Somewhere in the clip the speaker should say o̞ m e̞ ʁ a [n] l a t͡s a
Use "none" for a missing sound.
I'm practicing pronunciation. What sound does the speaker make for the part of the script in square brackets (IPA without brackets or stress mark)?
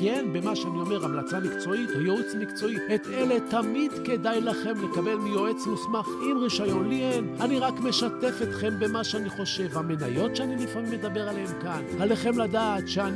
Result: m